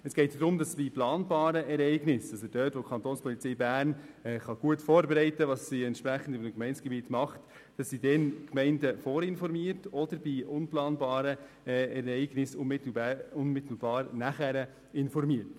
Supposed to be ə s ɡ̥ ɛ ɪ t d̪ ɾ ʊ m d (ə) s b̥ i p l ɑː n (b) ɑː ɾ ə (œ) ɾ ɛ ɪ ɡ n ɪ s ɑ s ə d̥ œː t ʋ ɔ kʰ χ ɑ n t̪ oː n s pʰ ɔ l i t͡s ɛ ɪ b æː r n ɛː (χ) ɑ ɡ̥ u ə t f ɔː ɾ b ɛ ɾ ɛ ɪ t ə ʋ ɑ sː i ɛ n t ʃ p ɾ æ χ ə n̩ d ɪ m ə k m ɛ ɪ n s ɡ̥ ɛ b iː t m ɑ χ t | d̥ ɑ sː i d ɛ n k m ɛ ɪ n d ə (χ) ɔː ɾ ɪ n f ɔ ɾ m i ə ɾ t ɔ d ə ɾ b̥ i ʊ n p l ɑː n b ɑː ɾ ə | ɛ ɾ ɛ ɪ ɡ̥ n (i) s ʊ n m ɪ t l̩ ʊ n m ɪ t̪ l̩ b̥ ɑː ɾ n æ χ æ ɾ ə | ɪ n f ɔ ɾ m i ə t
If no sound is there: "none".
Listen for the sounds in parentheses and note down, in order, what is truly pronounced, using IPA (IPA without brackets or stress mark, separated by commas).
ɑ, b, ɛ, χ, f, ɪ